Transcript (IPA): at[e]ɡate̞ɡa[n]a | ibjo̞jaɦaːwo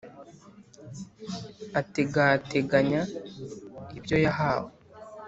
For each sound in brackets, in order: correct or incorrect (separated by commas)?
correct, incorrect